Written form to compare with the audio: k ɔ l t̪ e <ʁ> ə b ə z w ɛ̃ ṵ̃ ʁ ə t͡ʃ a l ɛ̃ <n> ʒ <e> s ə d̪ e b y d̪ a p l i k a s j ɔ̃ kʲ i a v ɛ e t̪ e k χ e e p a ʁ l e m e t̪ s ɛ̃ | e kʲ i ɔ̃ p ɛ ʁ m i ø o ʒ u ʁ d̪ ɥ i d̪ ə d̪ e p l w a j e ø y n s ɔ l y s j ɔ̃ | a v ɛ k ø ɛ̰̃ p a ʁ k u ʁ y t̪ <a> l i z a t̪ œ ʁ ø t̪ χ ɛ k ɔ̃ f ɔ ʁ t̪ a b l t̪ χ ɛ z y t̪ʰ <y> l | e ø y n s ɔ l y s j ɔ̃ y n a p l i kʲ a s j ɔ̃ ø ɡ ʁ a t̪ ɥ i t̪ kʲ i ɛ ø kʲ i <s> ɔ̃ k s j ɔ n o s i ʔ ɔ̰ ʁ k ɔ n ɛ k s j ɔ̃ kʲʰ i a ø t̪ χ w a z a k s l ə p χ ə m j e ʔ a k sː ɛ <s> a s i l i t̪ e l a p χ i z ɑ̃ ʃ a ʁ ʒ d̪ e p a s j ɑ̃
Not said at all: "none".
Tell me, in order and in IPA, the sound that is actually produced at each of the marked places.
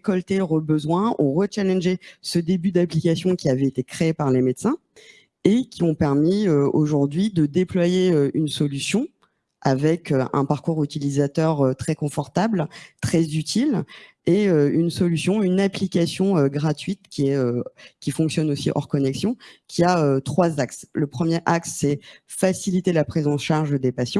ʁ, n, e, i, i, f, f

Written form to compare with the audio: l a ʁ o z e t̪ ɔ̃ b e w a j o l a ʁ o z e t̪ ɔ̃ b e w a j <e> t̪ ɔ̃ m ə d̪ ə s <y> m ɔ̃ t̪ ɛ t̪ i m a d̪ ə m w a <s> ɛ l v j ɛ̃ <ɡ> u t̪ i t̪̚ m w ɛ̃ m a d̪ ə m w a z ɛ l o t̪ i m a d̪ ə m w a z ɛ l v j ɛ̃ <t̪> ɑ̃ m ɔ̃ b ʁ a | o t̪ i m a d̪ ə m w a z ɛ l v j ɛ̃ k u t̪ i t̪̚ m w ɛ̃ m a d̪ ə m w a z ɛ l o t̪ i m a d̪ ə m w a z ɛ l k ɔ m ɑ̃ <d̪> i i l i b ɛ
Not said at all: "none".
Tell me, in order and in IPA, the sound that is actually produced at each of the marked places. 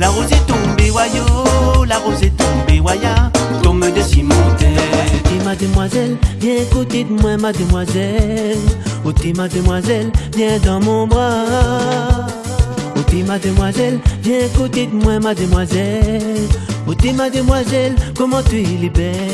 a, i, z, k, d̪, t̪

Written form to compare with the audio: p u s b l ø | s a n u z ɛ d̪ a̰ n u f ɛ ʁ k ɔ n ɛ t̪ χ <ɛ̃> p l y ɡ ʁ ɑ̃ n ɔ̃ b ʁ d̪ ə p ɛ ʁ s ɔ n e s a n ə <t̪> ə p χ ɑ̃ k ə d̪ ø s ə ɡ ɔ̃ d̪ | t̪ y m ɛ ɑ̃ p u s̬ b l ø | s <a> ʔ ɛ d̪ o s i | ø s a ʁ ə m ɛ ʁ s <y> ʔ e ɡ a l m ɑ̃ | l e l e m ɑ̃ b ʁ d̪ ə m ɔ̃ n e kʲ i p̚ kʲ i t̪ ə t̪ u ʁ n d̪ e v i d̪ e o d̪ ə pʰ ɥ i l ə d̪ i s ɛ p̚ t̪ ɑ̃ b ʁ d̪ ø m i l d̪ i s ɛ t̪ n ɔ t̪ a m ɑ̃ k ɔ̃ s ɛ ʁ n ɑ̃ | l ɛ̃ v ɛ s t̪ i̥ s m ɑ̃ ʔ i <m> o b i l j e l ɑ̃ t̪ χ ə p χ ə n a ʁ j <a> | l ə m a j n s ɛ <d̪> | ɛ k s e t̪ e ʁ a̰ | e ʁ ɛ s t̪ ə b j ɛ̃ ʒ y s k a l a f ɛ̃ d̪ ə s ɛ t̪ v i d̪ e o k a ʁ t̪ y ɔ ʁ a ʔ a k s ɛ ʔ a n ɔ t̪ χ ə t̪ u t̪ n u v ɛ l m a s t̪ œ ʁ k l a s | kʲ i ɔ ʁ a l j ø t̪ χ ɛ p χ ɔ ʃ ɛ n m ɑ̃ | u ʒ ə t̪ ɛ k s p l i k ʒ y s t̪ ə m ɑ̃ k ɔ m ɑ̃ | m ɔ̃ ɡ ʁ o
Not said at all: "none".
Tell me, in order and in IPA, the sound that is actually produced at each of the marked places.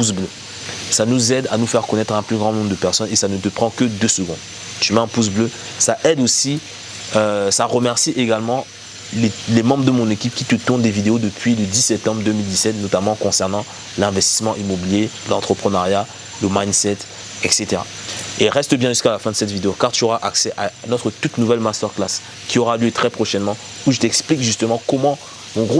ɛ̃, t̪, a, i, m, a, t̪

